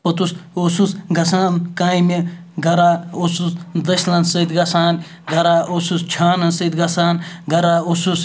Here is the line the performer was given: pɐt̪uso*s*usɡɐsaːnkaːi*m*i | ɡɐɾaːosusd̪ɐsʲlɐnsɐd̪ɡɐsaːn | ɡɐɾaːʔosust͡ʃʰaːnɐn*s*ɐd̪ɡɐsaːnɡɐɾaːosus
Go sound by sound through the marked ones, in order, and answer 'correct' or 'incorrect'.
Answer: correct, correct, correct

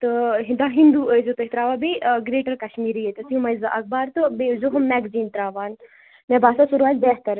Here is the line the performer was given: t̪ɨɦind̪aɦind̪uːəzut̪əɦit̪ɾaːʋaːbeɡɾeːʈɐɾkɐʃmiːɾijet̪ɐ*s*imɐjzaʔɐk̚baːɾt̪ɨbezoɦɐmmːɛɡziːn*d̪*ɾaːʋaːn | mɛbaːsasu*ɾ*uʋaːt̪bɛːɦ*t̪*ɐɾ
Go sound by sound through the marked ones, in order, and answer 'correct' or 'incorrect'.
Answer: correct, incorrect, correct, correct

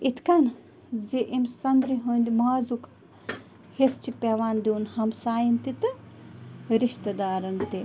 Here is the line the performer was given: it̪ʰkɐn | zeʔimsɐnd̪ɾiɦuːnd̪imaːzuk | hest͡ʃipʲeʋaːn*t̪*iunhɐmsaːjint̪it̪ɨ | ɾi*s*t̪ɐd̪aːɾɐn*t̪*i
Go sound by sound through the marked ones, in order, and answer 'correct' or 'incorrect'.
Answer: incorrect, incorrect, correct

